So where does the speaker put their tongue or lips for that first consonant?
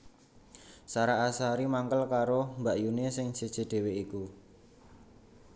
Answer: tongue tip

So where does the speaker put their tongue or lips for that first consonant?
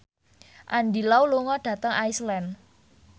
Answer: throat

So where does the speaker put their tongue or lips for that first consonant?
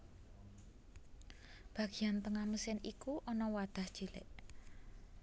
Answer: lips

